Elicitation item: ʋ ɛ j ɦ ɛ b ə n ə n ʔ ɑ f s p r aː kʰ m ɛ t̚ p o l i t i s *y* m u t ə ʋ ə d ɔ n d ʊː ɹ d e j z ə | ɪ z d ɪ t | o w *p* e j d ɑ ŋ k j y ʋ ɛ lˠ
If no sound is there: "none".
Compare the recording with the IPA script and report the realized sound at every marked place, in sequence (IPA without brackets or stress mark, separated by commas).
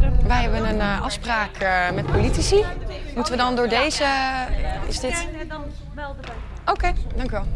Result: i, k